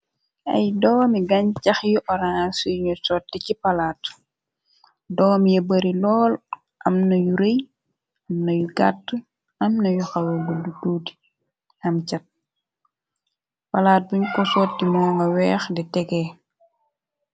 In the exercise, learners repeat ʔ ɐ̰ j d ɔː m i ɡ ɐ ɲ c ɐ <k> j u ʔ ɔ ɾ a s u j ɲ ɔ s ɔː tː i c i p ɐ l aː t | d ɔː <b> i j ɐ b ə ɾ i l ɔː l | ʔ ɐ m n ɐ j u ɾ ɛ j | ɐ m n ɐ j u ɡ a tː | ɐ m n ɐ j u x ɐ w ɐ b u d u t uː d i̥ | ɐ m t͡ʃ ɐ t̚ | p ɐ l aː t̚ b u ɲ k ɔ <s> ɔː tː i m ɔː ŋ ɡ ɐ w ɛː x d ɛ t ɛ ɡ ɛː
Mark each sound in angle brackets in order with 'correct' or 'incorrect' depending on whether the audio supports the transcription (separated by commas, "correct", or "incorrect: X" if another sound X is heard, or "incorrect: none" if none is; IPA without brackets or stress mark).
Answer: incorrect: x, incorrect: m, correct